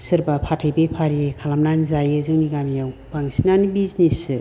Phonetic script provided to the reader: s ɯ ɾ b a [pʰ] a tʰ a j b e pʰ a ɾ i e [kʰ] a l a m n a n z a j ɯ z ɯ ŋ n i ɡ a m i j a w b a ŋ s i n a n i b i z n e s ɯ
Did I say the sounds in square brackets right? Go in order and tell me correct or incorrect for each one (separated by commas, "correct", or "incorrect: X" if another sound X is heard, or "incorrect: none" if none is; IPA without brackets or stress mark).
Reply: correct, correct